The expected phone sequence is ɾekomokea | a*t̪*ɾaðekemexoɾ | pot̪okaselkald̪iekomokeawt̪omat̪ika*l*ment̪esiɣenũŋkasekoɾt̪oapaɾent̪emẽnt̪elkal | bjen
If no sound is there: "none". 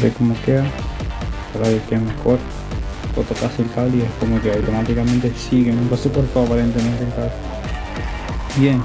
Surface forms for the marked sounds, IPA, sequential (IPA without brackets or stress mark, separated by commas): none, none